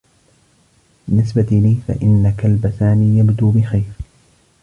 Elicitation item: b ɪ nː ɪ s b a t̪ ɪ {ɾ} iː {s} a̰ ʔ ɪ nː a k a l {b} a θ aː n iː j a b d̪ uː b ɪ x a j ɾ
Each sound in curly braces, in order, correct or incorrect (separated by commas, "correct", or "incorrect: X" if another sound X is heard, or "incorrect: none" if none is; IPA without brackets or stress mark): incorrect: l, incorrect: f, correct